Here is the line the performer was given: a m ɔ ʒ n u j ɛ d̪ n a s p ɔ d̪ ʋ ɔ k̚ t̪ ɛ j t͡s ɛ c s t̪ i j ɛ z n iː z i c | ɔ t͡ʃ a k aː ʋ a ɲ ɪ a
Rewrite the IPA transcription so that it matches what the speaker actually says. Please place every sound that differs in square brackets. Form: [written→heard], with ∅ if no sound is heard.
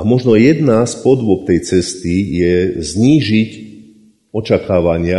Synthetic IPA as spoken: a m ɔ ʒ n [u→ɔ] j ɛ d̪ n a s p ɔ d̪ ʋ ɔ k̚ t̪ ɛ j t͡s ɛ [c→∅] s t̪ i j ɛ z [n→ɲ] iː [z→ʒ] i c | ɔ t͡ʃ a k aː ʋ a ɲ ɪ a